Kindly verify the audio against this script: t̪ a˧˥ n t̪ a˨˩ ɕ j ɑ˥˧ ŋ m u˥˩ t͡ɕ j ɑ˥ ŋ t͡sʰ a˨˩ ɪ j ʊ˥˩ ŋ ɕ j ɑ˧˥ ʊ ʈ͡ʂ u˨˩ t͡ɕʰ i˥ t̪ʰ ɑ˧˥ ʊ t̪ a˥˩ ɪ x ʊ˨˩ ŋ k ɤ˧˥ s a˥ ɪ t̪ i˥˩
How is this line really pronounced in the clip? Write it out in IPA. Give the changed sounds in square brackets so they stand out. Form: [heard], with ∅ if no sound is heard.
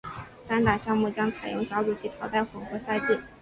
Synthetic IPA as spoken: t̪ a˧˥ n t̪ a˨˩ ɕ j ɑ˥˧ ŋ m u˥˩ t͡ɕ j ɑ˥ ŋ t͡sʰ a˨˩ ɪ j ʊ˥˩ ŋ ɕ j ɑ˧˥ ʊ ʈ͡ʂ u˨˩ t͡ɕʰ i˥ t̪ʰ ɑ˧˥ ʊ t̪ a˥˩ ɪ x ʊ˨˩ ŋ [x] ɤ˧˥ s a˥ ɪ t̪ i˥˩